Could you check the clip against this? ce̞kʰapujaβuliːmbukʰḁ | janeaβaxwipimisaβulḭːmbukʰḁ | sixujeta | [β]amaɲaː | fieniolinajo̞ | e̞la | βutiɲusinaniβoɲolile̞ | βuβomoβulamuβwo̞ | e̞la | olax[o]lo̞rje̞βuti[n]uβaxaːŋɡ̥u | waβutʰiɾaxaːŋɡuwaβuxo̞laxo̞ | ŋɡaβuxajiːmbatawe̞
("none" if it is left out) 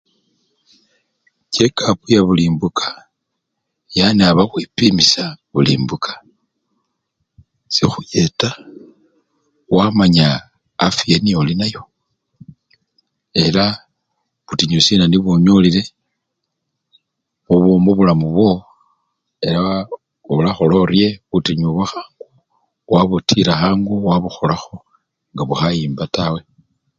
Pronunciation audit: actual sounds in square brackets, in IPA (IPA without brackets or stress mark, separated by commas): w, o, ɲ